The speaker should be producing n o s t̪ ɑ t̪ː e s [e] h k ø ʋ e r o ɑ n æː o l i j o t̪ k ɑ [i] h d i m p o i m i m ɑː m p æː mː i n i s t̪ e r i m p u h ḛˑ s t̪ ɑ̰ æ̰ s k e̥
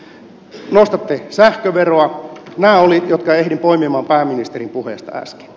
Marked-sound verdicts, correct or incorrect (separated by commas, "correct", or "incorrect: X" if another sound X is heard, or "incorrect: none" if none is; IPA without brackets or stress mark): incorrect: æ, incorrect: e